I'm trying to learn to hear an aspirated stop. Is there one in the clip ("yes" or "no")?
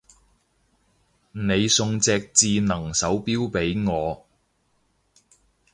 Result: no